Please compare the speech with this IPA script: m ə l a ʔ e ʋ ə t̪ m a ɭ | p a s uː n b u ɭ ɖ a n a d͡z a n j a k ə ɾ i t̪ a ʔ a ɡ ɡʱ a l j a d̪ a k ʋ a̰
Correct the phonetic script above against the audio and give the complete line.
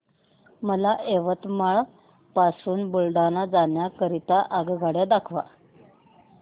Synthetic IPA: m ə l a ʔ e ʋ ə t̪ m a ɭ | p a s uː n b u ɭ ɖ a n a d͡z a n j a k ə ɾ i t̪ a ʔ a ɡ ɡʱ a ɽ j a d̪ a kʰ ʋ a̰

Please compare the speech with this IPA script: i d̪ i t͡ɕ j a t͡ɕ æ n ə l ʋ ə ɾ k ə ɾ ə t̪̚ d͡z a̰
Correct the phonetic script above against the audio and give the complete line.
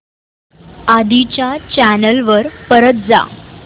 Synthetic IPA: a d̪ i t͡ɕ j a t͡ɕ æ n ə l ʋ ə ɾ p ə ɾ ə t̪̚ d͡z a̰

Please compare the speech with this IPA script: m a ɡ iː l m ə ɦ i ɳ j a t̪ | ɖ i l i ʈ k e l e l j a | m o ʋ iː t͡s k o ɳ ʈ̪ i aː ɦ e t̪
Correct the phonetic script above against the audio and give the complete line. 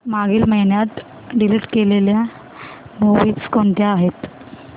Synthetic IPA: m a ɡ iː l m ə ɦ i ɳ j a t̪ | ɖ i l i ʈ k e l e l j a | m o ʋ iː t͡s k o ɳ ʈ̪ j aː ɦ e t̪

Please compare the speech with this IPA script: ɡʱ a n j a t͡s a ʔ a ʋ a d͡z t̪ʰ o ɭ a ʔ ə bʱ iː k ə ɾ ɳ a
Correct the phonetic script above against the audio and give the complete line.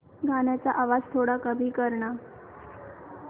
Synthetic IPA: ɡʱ a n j a t͡s a ʔ a ʋ a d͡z t̪ʰ o ɽ a k ə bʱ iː k ə ɾ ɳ a

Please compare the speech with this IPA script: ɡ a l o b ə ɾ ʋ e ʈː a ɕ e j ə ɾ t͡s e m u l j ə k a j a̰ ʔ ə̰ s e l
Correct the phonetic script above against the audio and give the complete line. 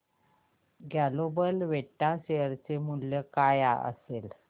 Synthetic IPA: ɡ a l o b ə l ʋ e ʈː a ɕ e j ə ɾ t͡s e m u l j ə k a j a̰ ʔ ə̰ s e l

